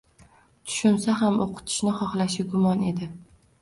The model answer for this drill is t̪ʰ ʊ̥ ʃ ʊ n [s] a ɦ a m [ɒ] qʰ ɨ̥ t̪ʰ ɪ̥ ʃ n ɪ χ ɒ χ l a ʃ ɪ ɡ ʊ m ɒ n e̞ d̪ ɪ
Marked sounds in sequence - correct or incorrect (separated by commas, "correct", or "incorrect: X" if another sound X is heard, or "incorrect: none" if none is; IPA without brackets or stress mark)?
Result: correct, incorrect: o